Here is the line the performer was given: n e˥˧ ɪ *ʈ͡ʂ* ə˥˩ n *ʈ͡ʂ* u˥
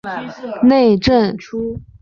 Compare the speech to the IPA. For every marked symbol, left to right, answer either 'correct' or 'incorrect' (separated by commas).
correct, incorrect